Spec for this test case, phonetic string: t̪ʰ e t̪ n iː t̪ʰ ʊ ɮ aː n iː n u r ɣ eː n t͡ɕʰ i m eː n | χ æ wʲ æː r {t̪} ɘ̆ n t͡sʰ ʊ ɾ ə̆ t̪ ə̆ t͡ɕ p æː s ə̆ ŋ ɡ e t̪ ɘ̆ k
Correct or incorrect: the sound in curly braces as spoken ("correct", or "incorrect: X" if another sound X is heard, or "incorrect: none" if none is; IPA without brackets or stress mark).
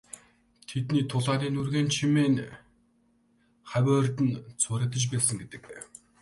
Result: correct